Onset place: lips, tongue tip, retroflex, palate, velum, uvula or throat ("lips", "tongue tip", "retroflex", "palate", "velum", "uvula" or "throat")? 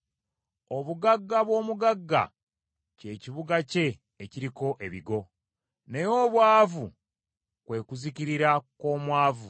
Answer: lips